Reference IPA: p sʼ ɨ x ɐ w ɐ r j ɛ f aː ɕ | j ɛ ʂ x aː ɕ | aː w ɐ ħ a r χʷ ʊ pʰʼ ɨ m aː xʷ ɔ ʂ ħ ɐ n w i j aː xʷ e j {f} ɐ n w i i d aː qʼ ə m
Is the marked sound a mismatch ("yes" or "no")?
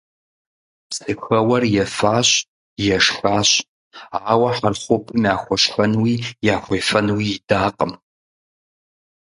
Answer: no